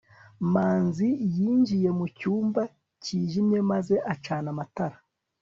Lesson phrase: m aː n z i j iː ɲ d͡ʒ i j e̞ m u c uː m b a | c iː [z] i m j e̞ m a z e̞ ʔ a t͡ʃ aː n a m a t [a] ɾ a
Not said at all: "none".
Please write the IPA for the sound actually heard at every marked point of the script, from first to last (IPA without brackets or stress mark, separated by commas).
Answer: ʒ, a